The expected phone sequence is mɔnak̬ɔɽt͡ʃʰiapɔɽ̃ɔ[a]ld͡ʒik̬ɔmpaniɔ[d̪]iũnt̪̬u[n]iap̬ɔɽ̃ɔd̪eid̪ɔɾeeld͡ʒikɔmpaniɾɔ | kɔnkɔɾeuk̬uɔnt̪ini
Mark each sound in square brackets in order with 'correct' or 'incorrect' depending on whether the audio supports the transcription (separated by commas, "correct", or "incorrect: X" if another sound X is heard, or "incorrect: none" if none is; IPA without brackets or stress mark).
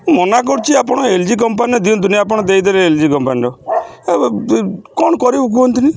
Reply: incorrect: e, correct, correct